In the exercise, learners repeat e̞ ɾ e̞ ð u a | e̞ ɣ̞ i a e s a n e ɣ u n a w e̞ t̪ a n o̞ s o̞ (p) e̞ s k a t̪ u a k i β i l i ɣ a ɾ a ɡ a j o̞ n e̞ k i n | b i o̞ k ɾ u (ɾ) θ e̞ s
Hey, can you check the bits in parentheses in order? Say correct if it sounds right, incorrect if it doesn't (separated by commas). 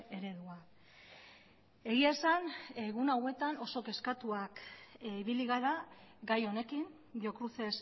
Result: incorrect, incorrect